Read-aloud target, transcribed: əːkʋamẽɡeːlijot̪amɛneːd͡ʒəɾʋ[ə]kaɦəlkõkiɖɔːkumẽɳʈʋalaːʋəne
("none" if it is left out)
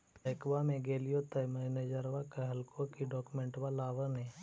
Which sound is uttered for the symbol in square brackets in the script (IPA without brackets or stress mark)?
a